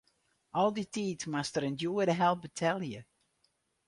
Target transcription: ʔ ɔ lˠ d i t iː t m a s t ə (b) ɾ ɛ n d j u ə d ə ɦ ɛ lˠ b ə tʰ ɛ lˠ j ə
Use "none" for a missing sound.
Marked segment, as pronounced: none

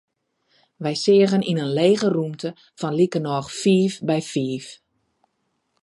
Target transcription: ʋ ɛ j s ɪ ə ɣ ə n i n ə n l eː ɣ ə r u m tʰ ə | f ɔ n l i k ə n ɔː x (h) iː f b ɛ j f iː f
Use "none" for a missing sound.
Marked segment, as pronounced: f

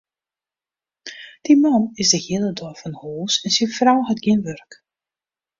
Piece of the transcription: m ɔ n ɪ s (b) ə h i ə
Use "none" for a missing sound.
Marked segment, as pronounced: d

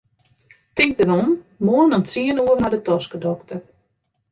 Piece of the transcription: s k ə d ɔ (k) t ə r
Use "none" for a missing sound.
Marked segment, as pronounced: k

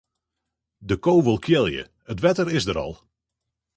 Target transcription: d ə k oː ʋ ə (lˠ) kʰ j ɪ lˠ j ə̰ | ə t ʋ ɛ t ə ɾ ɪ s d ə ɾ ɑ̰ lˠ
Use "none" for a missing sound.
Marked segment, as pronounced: lˠ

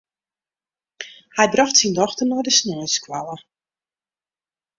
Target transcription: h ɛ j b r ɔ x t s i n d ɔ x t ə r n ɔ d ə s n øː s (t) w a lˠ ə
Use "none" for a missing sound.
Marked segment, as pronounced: k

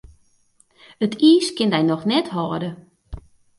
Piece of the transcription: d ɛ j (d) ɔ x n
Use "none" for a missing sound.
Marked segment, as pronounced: n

